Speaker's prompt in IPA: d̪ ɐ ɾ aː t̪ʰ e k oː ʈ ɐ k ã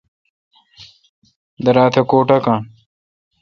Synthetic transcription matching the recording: d̪ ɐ ɾ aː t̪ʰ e k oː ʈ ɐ k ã